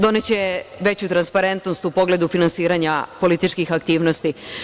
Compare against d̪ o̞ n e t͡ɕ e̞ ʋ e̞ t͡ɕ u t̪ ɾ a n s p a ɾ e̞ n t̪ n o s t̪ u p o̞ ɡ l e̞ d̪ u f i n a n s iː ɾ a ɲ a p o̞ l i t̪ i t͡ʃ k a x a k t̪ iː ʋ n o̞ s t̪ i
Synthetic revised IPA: d̪ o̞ n e t͡ɕ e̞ ʋ e̞ t͡ɕ u t̪ ɾ a n s p a ɾ e̞ n t̪ n o s t̪ u p o̞ ɡ l e̞ d̪ u f i n a n s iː ɾ a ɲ a p o̞ l i t̪ i t͡ʃ k i x a k t̪ iː ʋ n o̞ s t̪ i